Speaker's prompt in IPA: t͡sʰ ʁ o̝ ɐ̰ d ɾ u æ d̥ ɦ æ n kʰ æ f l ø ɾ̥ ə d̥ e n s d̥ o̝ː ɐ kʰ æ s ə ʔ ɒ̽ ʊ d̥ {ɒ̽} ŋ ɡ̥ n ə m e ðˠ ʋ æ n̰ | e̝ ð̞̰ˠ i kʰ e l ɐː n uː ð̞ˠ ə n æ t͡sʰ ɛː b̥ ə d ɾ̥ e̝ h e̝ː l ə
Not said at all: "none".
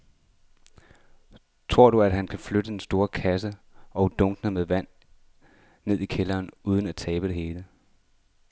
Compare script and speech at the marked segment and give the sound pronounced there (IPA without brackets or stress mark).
ɔ̽